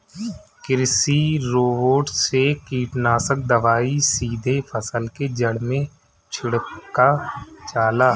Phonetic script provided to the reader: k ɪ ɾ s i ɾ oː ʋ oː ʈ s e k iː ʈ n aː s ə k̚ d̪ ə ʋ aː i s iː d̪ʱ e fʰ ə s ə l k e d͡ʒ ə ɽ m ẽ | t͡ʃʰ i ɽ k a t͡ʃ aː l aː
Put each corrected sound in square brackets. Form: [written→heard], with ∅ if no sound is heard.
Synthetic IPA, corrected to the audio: k ɪ ɾ s i ɾ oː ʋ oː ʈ s e k iː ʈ n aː s ə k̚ d̪ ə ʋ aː i s iː d̪ʱ e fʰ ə s ə l k e d͡ʒ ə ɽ m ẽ | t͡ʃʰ [i→ɪ] ɽ k a t͡ʃ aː l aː